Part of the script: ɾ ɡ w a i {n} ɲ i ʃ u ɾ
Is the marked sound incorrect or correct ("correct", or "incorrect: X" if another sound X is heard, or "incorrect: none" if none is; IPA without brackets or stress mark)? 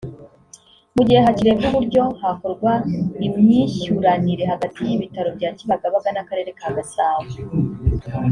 incorrect: m